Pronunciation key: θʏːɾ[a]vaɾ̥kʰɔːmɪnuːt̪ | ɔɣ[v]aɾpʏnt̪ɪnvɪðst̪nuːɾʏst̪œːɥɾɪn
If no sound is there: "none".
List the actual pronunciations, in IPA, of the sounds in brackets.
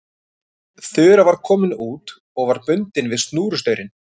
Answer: a, v

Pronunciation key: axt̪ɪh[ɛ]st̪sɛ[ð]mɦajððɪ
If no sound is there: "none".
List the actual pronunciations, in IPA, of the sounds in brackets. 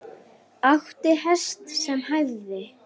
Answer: ɛ, none

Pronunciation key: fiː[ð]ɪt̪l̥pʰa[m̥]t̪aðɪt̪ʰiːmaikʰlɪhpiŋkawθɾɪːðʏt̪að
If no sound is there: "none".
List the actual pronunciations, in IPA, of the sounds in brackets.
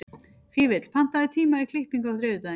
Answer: v, n̥

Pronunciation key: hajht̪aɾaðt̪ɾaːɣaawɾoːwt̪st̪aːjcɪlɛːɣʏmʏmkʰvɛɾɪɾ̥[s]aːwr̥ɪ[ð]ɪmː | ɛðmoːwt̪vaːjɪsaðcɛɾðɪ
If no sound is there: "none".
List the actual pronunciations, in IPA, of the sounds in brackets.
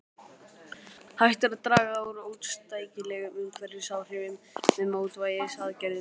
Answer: s, v

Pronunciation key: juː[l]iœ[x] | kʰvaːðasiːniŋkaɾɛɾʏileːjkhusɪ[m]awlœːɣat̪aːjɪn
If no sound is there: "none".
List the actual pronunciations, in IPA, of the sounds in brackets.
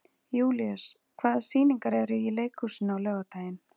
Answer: l, s, n

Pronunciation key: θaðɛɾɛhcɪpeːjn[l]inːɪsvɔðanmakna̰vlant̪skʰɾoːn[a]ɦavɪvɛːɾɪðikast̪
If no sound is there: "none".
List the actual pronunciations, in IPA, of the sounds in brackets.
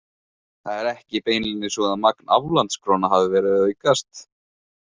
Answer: l, a

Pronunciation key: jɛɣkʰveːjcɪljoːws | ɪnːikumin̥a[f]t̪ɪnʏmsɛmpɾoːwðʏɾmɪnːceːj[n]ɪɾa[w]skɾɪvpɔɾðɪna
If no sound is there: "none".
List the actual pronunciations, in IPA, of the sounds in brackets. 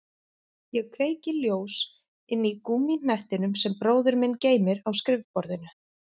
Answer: h, m, w

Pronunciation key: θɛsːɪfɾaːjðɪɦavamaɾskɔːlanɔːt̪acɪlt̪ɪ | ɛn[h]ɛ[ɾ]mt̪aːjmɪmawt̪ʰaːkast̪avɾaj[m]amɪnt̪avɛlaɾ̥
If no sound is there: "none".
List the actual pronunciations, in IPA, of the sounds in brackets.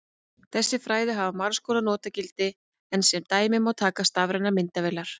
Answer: s, none, n

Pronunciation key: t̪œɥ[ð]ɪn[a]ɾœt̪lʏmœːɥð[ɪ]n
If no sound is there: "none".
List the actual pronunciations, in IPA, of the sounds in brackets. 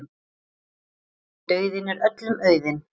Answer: ð, ɛ, ɪ

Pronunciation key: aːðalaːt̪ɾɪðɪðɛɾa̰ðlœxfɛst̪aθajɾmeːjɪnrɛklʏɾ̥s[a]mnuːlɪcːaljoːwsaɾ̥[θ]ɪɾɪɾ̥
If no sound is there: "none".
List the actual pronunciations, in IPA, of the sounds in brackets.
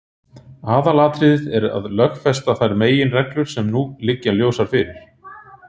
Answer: ɛ, f

